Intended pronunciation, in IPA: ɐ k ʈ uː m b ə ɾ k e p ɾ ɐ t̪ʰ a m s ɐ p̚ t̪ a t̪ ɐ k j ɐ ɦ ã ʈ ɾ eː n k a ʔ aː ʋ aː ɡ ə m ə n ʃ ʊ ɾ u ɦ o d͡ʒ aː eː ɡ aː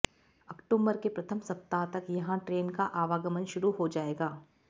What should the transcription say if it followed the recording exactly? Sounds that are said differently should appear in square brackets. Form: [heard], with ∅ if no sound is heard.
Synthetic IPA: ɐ k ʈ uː m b ə ɾ k e p ɾ ɐ t̪ʰ [ə] m s ɐ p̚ t̪ a t̪ ɐ k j ɐ ɦ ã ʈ ɾ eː n k a ʔ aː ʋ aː ɡ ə m ə n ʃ ʊ ɾ u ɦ o d͡ʒ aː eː ɡ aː

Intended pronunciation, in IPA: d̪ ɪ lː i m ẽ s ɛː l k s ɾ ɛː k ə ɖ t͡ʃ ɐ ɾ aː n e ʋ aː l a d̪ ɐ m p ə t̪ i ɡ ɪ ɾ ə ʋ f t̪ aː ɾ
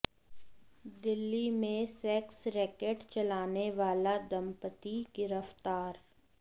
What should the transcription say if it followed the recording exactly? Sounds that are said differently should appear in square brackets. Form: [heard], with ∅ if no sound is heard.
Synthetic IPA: d̪ ɪ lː i m ẽ s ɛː [∅] k s ɾ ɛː k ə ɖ t͡ʃ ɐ [l] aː n e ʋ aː l a d̪ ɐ m p ə t̪ i ɡ ɪ ɾ ə [∅] f t̪ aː ɾ

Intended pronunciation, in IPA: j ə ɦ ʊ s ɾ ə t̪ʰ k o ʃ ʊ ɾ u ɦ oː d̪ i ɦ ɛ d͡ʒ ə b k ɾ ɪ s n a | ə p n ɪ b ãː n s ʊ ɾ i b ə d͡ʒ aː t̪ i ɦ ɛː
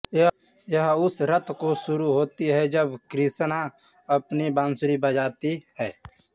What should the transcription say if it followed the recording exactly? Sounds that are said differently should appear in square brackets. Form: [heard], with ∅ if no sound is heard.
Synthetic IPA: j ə ɦ ʊ s ɾ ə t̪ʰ k o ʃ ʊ ɾ u ɦ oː [t̪] i ɦ ɛ d͡ʒ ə b k ɾ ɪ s n a | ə p n [i] b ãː n s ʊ ɾ i b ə d͡ʒ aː t̪ i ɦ ɛː

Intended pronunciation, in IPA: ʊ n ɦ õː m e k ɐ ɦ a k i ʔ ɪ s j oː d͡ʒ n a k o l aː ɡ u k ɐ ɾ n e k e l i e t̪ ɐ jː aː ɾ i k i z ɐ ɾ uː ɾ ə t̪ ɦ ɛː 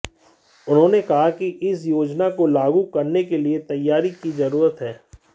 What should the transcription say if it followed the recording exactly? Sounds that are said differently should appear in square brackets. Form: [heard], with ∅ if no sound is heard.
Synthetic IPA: ʊ n ɦ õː [n] e k ɐ ɦ a k i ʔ ɪ s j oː d͡ʒ n a k o l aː ɡ u k ɐ ɾ n e k e l i e t̪ ɐ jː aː ɾ i k i z ɐ ɾ uː ɾ ə t̪ ɦ ɛː

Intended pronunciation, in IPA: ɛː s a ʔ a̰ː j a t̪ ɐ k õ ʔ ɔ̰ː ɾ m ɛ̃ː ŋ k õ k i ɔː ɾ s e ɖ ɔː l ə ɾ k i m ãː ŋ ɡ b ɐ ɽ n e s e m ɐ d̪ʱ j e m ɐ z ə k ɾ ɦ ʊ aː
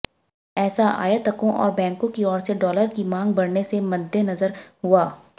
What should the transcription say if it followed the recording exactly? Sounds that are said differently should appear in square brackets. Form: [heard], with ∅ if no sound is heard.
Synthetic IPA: ɛː s a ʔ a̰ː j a t̪ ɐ k õ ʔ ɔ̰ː ɾ [b] ɛ̃ː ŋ k õ k i ɔː ɾ s e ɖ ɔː l ə ɾ k i m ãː ŋ ɡ b ɐ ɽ n e s e m ɐ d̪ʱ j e [n] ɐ z ə [∅] ɾ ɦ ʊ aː

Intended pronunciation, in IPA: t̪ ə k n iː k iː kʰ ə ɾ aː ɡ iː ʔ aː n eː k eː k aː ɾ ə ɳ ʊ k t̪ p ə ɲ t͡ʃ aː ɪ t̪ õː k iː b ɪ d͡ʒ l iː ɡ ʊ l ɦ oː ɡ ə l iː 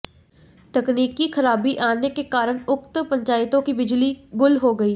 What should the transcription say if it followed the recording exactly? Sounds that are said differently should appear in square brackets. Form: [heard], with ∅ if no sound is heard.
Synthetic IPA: t̪ ə k n iː k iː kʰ ə ɾ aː [b] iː ʔ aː n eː k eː k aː ɾ ə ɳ ʊ k t̪ p ə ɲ t͡ʃ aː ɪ t̪ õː k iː b ɪ d͡ʒ l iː ɡ ʊ l ɦ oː ɡ ə [∅] iː

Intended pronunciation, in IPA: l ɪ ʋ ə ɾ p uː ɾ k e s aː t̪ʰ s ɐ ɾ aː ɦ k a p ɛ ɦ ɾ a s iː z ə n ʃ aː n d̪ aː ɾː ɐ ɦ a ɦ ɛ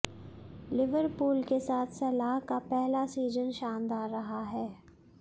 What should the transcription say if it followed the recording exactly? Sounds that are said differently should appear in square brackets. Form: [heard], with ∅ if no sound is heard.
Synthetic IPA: l ɪ ʋ ə ɾ p uː [l] k e s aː t̪ʰ s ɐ [l] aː ɦ k a p ɛ ɦ [l] a s iː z ə n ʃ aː n d̪ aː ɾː ɐ ɦ a ɦ [ɛː]

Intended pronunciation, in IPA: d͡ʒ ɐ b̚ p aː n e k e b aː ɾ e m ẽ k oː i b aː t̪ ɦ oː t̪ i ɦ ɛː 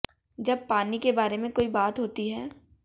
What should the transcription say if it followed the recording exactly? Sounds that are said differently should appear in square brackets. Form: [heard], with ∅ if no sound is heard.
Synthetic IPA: d͡ʒ ɐ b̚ p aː n [i] k e b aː ɾ e m ẽ k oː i b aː t̪ ɦ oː t̪ i ɦ ɛː

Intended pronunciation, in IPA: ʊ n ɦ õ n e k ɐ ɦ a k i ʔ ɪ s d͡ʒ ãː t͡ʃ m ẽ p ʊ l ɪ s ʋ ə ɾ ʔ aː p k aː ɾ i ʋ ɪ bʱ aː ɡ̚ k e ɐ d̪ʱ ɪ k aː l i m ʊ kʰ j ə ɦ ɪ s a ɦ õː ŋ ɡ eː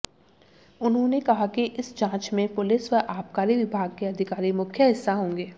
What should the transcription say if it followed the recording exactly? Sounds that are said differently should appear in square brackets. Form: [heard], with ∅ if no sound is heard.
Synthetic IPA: ʊ n ɦ õ n e k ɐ ɦ a k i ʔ ɪ s d͡ʒ ãː t͡ʃ m ẽ p ʊ l ɪ s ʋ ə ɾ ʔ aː p k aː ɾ i ʋ ɪ bʱ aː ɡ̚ k e ɐ d̪ʱ ɪ k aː [ɾ] i m ʊ kʰ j ə ɦ ɪ [sː] a ɦ õː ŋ ɡ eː

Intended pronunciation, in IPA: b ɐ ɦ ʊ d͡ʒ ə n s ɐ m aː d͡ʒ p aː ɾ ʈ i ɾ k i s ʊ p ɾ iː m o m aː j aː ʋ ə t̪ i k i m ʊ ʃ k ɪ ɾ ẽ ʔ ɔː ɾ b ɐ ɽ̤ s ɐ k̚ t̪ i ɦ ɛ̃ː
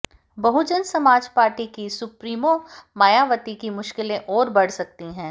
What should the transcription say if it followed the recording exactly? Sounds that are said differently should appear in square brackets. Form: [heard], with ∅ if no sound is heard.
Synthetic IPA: b ɐ ɦ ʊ d͡ʒ ə n s ɐ m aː d͡ʒ p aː ɾ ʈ i [∅] k i s ʊ p ɾ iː m o m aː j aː ʋ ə t̪ i k i m ʊ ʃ k ɪ [l] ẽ ʔ ɔː ɾ b ɐ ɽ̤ s ɐ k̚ t̪ i ɦ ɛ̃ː

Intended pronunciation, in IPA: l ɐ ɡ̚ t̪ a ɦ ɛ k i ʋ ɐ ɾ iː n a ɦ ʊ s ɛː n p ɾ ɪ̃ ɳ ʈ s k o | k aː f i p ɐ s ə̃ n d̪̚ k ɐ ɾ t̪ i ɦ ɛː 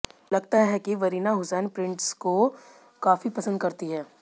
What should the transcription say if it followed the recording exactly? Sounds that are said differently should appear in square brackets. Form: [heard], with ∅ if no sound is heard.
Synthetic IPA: l ɐ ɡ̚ t̪ a ɦ ɛ k i ʋ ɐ ɾ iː n a ɦ ʊ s ɛː n p ɾ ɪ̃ ɳ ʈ s k o | k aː f i p ɐ s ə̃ n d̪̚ k ɐ ɾ t̪ i ɦ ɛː

